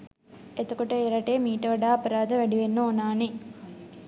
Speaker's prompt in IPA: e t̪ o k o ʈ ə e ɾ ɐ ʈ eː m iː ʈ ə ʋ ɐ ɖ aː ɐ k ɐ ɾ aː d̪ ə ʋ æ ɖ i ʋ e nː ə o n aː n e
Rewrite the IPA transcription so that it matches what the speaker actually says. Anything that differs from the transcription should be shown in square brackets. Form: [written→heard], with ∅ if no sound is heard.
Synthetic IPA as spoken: e t̪ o k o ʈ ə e ɾ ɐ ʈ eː m iː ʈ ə ʋ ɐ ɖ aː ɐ [k→p] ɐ ɾ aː d̪ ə ʋ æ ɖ i ʋ e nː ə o n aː n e